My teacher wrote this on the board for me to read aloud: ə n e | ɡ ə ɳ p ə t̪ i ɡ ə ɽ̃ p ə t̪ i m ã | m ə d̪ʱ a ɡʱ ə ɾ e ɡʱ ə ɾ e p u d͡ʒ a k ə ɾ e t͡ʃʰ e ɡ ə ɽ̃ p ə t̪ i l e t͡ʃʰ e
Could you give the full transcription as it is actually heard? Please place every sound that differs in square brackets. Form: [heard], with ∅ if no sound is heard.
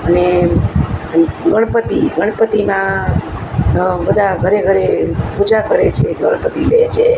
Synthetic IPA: ə n e | ɡ ə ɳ p ə t̪ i ɡ ə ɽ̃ p ə t̪ i m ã | [b] ə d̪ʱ a ɡʱ ə ɾ e ɡʱ ə ɾ e p u d͡ʒ a k ə ɾ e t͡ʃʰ e ɡ ə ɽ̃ p ə t̪ i l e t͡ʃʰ e